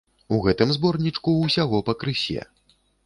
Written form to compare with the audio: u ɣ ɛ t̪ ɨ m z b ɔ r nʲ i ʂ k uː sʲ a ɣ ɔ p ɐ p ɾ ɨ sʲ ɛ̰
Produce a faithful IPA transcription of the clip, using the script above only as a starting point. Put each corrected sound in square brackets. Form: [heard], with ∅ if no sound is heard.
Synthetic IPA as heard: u ɣ ɛ t̪ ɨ m z b ɔ r nʲ i [t͡ʂ] k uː sʲ a ɣ ɔ p ɐ [k] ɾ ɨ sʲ ɛ̰

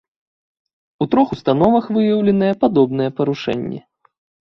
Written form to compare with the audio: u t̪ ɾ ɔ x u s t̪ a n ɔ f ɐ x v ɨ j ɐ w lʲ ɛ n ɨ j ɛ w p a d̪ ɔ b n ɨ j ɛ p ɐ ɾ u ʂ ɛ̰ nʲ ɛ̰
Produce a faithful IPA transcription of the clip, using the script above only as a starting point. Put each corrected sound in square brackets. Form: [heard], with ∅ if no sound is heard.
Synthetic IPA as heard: u t̪ ɾ ɔ x u s t̪ a n ɔ [v] ɐ x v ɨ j ɐ w lʲ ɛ n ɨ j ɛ [∅] p a d̪ ɔ b n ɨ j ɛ p ɐ ɾ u ʂ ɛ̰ [nʲː] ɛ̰

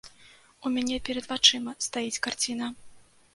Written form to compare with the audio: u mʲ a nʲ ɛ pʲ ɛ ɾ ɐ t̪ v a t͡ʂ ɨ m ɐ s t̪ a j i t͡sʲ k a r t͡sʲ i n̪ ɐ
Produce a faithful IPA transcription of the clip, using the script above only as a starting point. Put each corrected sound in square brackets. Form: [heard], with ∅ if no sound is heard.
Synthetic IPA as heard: u mʲ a nʲ ɛ pʲ ɛ ɾ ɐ [d̪] v a t͡ʂ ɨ m ɐ s t̪ a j i t͡sʲ k a r t͡sʲ i n̪ ɐ

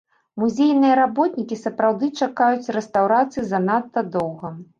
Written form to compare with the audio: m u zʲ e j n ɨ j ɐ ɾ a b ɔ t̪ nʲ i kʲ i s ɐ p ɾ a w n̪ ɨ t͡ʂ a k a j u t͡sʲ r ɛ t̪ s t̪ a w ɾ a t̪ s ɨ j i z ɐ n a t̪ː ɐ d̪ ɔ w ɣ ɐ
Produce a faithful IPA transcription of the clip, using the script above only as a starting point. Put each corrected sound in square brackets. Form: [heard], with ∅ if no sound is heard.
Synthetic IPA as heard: m u zʲ e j n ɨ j ɐ ɾ a b ɔ t̪ nʲ i kʲ i s ɐ p ɾ a w [d̪] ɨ t͡ʂ a k a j u t͡sʲ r ɛ [∅] s t̪ a w ɾ a t̪ s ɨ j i z ɐ n a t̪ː ɐ d̪ ɔ w ɣ ɐ

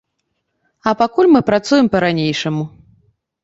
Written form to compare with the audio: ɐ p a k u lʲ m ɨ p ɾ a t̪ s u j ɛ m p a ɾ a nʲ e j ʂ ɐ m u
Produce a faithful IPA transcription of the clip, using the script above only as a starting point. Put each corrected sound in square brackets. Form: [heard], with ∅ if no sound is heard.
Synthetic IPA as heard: ɐ p a k u lʲ m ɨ p ɾ a t̪ s u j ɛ m p [ɐ] ɾ a nʲ e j ʂ ɐ m u

